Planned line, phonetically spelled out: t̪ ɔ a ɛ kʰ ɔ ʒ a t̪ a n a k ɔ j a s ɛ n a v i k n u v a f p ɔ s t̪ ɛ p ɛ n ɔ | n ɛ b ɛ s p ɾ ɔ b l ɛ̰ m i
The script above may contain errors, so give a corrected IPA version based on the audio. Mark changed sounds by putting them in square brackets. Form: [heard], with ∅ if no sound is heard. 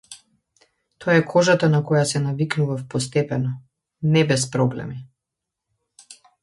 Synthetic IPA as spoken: t̪ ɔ a ɛ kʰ ɔ ʒ a t̪ a n a k ɔ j a s ɛ n a v i k n u v a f p ɔ s t̪ ɛ p ɛ n ɔ | n ɛ b ɛ s p ɾ ɔ b l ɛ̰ m i